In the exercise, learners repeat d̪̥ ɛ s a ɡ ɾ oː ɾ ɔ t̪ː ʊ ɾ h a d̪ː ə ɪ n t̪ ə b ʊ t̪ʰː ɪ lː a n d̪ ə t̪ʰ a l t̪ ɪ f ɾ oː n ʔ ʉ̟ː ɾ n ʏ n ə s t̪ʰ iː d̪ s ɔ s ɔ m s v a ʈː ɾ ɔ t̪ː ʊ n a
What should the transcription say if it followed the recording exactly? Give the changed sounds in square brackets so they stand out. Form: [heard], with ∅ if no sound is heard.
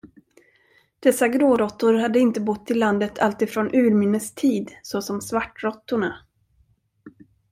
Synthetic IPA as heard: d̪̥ ɛ s a ɡ ɾ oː ɾ ɔ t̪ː ʊ ɾ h a d̪ː ə ɪ n t̪ ə b ʊ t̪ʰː ɪ lː a n d̪ ə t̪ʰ a l t̪ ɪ f ɾ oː n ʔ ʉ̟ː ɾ [m] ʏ n ə s t̪ʰ iː d̪ s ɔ s ɔ m s v a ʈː ɾ ɔ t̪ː ʊ [ɳ] a